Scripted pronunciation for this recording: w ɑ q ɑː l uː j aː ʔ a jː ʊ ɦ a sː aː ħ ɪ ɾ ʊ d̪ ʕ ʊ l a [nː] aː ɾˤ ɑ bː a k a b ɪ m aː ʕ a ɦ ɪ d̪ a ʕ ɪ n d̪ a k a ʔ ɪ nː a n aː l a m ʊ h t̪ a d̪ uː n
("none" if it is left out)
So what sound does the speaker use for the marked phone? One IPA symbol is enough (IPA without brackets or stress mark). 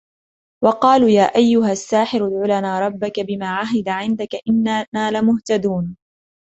n